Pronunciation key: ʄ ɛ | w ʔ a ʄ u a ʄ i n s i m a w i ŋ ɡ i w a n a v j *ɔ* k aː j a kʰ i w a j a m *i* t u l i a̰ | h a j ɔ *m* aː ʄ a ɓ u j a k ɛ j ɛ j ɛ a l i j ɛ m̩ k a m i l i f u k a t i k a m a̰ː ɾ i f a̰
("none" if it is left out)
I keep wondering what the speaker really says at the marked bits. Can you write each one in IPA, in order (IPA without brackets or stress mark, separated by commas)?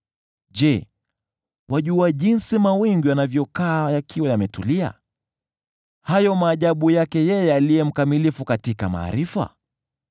ɔ, ɛ, m